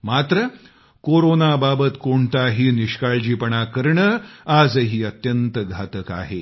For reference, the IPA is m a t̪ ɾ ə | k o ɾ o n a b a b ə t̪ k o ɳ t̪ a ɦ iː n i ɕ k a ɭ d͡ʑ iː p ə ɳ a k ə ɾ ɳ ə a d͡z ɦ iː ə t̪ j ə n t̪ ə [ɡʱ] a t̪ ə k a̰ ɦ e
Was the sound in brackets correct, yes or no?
yes